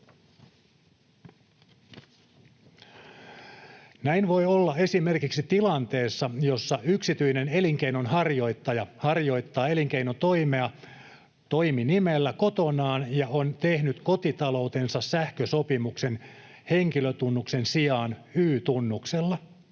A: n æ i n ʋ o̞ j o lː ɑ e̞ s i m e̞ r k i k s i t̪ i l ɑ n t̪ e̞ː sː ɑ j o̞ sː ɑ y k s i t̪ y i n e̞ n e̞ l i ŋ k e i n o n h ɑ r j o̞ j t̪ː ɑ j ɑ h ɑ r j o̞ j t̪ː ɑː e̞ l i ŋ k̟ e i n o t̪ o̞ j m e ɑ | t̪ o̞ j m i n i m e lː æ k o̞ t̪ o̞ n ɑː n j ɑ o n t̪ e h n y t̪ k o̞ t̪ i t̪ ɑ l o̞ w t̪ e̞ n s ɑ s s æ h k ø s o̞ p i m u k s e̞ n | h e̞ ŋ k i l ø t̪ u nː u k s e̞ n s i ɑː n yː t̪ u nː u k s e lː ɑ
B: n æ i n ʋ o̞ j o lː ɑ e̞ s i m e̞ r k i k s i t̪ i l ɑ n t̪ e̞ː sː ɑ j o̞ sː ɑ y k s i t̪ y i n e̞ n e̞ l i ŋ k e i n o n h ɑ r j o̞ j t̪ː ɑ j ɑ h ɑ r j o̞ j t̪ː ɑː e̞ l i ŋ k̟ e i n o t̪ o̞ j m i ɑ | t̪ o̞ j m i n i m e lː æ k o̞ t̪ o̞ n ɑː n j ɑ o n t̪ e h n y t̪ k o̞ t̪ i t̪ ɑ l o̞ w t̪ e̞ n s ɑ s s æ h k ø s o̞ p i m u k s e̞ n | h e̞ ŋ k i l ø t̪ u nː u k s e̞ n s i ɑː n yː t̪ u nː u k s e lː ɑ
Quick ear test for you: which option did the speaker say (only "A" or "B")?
A